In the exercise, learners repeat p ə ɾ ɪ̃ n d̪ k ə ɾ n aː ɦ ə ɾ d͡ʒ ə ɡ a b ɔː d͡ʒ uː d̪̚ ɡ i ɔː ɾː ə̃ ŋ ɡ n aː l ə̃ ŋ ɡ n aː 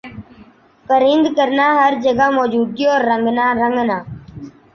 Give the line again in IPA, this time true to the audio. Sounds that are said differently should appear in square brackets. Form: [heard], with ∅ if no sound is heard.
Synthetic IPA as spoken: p ə ɾ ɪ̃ n d̪ k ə ɾ n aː ɦ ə ɾ d͡ʒ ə ɡ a [m] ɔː d͡ʒ uː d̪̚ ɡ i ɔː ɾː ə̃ ŋ ɡ n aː [ɾ] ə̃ ŋ ɡ n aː